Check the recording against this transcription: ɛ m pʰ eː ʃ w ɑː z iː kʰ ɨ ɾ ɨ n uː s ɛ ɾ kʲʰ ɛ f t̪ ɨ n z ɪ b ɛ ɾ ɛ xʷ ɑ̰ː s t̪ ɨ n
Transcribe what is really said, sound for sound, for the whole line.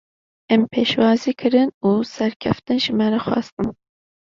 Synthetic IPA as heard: ɛ m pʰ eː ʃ w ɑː z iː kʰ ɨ ɾ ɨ n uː s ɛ ɾ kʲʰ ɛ f t̪ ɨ n ʒ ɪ m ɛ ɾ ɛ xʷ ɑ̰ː s t̪ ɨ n